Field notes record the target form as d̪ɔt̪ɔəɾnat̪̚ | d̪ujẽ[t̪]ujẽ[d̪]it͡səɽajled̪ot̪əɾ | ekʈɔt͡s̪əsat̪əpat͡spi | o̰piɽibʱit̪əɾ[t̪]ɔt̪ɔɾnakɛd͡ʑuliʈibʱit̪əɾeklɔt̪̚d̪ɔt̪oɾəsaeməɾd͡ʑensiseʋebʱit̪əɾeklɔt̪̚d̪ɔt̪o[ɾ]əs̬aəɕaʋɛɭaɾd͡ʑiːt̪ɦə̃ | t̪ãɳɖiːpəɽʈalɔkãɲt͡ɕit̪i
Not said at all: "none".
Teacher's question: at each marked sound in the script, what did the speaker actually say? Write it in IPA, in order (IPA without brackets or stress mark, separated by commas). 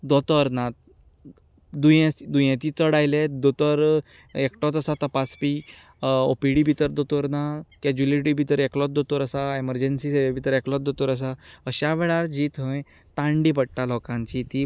d̪, t̪, d̪, ɾ